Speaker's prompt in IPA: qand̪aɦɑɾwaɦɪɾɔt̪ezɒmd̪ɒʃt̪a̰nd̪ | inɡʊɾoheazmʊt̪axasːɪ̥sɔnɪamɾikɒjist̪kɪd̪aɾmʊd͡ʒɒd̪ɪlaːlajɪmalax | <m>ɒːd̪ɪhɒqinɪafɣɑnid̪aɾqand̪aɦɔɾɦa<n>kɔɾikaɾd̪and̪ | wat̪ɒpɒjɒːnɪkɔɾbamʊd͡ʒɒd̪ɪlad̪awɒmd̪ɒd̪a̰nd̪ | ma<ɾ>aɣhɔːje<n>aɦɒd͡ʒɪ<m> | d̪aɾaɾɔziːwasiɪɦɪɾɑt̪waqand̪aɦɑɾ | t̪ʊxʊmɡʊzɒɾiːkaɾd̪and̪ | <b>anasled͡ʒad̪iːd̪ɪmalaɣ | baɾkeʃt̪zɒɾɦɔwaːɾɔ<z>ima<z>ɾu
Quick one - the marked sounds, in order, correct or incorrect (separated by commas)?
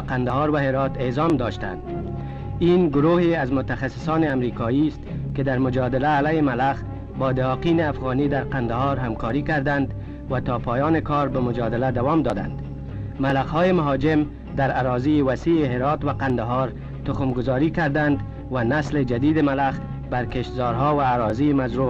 incorrect, incorrect, incorrect, incorrect, correct, incorrect, correct, correct